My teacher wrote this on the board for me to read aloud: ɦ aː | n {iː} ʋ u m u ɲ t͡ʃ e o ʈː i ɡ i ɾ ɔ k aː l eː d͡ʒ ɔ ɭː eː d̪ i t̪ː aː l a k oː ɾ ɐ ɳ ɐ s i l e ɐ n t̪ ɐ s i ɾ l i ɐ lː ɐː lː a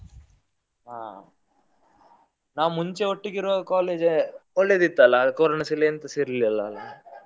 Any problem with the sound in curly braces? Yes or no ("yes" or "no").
yes